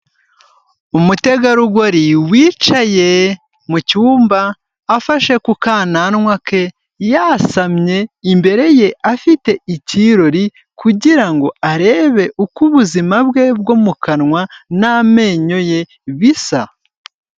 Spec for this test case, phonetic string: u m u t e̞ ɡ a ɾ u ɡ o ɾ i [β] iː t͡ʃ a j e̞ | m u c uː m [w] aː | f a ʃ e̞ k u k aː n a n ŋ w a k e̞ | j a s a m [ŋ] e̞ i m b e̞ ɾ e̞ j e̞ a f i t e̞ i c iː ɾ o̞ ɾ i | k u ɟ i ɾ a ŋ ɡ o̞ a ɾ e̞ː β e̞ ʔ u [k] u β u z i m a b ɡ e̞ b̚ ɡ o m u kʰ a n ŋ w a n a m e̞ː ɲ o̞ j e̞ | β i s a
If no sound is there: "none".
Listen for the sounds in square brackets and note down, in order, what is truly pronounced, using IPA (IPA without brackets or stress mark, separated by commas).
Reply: w, b, ɲ, k